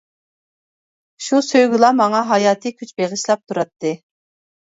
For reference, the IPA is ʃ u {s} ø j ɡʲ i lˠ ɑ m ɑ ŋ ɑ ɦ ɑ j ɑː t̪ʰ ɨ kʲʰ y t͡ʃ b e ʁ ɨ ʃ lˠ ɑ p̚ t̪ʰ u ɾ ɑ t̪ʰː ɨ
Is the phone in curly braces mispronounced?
no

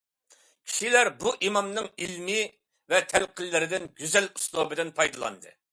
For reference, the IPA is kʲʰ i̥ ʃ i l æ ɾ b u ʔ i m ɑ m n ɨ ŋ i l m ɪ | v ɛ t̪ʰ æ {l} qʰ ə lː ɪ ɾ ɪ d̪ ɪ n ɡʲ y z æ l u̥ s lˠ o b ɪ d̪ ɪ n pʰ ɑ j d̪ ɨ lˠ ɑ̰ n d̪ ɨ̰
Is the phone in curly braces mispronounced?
no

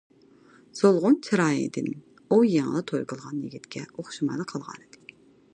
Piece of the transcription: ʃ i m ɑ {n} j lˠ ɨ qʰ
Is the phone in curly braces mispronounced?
yes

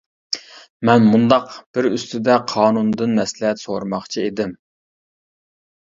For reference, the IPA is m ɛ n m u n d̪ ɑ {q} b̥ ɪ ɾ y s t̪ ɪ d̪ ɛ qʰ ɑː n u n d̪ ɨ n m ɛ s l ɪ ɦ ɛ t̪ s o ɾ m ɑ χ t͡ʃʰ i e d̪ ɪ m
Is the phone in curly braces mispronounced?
no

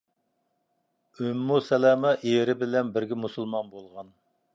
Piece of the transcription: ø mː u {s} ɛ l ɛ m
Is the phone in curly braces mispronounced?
no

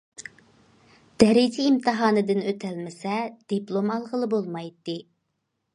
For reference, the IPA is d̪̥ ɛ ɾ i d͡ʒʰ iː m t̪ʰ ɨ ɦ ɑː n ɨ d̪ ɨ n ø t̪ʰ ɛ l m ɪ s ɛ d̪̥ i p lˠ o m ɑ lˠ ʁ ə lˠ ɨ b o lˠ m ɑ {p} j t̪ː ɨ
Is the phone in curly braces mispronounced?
yes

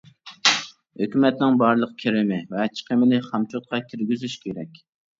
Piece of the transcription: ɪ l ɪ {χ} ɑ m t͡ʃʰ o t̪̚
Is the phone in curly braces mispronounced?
no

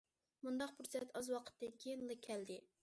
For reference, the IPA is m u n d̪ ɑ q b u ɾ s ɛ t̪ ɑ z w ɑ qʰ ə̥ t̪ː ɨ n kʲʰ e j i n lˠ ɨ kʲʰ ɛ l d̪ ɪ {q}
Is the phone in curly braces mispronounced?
yes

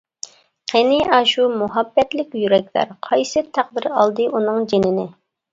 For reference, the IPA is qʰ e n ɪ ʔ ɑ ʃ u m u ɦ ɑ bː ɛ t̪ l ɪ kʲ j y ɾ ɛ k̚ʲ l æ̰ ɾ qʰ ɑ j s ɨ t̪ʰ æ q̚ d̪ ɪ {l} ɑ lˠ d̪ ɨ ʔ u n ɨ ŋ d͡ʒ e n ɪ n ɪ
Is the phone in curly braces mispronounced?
yes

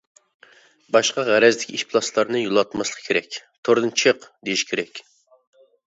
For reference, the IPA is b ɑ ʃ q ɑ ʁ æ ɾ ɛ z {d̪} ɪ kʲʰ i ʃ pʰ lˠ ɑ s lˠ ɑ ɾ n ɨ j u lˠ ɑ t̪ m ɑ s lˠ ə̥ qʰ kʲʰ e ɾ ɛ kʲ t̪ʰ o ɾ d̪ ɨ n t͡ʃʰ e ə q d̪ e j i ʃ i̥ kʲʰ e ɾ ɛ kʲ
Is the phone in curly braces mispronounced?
no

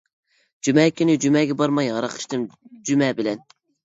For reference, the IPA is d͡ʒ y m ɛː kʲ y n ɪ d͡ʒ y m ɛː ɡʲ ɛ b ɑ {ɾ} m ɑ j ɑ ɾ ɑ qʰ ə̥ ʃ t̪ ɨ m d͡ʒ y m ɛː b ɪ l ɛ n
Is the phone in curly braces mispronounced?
no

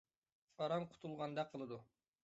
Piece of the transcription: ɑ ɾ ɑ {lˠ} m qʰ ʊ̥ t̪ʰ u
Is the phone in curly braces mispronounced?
yes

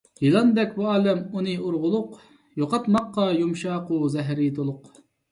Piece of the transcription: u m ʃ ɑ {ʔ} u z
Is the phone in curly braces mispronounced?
yes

